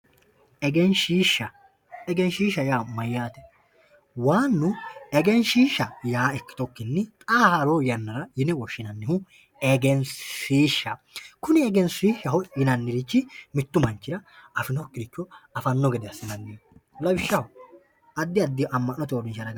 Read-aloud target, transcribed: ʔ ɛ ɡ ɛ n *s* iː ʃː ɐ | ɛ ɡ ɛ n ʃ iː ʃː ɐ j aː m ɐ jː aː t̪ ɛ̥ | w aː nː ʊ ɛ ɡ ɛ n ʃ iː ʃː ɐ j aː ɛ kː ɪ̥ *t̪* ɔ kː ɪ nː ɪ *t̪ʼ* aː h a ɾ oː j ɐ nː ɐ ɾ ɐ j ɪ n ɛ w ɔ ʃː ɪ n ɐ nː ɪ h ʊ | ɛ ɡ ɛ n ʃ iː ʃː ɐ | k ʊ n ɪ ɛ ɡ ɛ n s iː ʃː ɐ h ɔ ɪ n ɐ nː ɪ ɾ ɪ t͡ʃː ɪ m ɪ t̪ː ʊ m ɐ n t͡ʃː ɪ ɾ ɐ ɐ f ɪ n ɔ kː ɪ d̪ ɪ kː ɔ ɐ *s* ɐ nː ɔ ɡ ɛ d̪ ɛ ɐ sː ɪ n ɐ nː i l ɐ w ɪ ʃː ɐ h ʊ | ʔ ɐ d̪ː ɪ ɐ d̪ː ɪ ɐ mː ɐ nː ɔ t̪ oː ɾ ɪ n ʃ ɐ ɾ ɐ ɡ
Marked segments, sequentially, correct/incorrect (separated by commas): incorrect, correct, correct, incorrect